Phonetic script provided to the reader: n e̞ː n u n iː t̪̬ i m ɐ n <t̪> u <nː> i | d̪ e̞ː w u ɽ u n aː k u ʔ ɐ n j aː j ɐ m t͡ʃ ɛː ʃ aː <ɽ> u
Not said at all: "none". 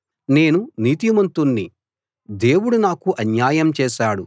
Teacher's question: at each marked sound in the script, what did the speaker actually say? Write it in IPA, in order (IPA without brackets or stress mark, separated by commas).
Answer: t̪, nː, ɽ